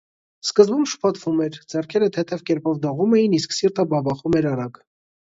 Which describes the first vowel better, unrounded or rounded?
unrounded